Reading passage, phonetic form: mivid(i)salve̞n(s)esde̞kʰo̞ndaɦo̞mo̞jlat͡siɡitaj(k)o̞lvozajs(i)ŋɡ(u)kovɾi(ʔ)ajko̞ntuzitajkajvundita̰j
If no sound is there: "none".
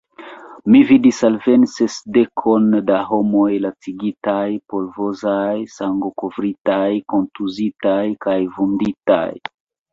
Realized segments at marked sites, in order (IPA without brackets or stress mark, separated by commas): i, s, p, a, o, t